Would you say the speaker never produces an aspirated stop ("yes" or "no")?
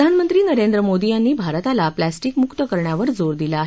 yes